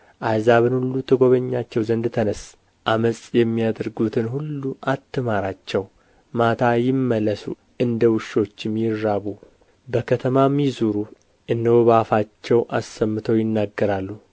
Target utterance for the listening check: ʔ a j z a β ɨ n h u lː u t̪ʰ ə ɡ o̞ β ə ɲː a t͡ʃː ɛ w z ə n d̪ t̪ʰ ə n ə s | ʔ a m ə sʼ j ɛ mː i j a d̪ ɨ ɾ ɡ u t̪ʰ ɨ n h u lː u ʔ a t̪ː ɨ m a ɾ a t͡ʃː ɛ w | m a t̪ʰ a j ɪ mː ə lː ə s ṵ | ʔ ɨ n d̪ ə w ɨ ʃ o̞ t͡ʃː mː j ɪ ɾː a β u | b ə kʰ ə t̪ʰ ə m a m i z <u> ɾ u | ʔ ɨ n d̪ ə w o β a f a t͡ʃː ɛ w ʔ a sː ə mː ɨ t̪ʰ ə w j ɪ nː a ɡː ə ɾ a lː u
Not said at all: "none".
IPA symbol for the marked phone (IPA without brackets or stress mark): u